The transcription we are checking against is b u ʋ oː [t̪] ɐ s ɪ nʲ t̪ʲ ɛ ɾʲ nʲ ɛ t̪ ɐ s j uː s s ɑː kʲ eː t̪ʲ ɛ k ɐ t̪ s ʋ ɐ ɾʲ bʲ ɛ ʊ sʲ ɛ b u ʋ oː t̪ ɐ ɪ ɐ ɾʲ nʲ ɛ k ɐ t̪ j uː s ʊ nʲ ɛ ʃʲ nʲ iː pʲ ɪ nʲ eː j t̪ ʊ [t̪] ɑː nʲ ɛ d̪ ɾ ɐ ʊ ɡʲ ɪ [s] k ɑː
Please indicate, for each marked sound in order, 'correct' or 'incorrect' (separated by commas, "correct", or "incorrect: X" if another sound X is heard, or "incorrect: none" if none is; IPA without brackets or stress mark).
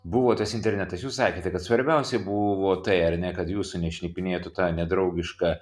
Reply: correct, correct, incorrect: ʃ